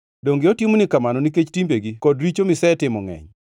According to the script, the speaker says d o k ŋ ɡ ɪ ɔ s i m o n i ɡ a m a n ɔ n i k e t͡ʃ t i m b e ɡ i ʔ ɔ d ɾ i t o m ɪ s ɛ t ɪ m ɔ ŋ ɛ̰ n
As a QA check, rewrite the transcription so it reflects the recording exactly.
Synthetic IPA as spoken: d o ŋ ɡ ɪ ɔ t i m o n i k a m a n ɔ n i k e t͡ʃ t i m b e ɡ i k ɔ d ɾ i t͡ʃ o m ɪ s ɛ t ɪ m ɔ ŋ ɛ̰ ɲ